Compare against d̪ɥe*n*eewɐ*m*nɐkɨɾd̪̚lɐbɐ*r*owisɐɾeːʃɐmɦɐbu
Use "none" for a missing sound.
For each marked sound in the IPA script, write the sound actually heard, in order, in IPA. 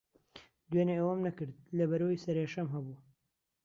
n, m, ɾ

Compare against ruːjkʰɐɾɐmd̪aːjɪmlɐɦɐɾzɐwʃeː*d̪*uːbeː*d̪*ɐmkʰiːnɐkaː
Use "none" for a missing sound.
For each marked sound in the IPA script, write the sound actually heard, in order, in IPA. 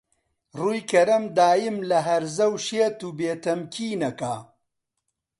t̪, t̪

